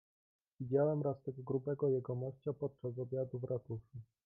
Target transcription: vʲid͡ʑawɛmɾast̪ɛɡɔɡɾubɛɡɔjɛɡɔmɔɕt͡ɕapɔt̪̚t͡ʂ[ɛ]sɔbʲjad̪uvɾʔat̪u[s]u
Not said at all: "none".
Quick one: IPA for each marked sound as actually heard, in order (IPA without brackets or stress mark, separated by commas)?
a, ʂ